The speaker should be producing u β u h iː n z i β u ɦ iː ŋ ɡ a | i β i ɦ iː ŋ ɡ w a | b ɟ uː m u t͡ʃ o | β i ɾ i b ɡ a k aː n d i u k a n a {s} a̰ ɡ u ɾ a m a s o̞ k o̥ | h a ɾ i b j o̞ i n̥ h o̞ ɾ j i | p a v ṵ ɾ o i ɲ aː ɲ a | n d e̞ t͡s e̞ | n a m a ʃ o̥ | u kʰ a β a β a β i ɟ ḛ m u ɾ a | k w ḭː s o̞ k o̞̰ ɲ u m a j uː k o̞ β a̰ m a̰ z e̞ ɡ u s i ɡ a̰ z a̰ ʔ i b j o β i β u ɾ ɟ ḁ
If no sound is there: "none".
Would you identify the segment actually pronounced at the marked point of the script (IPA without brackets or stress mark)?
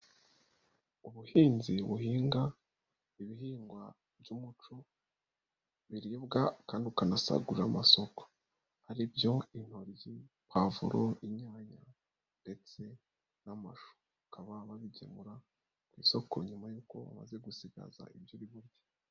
s